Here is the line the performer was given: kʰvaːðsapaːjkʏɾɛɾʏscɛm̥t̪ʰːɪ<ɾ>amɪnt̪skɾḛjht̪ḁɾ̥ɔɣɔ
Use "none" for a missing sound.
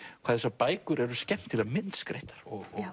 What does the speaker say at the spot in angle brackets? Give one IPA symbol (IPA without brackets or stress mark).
l